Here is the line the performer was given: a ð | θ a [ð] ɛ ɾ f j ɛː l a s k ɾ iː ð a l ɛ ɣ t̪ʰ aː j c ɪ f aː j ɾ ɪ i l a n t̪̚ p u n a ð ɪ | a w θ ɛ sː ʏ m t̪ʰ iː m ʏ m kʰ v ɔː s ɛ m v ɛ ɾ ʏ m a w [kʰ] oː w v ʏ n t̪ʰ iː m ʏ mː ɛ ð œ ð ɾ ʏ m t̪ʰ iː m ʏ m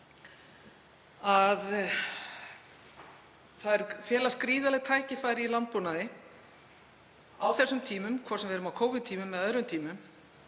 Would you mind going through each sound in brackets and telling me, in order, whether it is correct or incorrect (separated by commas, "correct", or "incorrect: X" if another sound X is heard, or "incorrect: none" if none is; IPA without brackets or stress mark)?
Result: correct, correct